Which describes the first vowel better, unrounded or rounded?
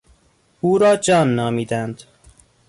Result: rounded